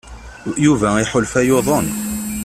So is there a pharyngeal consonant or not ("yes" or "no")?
yes